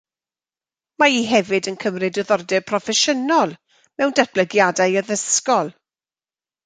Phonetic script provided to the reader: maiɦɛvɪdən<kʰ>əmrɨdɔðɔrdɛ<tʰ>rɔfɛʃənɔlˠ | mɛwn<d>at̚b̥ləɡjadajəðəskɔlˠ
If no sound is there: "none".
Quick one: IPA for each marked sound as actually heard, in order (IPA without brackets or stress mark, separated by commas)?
kʰ, pʰ, d